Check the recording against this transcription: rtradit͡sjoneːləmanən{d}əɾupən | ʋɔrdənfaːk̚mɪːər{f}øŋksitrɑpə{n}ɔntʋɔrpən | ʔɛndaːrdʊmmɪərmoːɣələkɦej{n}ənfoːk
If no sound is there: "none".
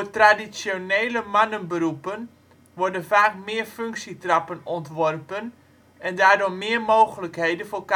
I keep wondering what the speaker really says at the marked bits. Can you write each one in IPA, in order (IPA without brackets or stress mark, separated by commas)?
b, f, n, d